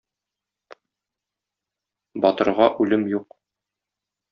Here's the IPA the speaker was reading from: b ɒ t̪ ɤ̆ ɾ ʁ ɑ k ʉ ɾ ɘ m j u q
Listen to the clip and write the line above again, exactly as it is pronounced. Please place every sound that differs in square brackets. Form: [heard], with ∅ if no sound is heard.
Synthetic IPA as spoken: b ɒ t̪ ɤ̆ ɾ ʁ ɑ [ʔ] ʉ [l] ɘ m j u q